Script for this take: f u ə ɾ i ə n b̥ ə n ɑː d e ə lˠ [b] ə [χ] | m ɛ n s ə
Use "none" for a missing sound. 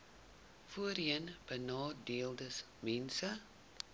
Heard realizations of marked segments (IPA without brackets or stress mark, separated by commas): d, s